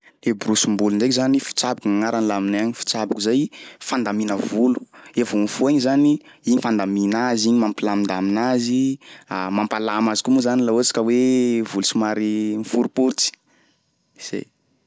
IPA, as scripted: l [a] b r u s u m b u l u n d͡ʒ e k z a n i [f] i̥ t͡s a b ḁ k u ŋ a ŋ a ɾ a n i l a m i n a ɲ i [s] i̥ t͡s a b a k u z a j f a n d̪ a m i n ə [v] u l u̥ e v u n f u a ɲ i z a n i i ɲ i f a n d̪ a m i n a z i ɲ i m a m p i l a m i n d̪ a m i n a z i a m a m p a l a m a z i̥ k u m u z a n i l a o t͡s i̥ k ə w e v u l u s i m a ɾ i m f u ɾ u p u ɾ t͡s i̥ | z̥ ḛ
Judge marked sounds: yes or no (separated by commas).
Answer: no, yes, no, yes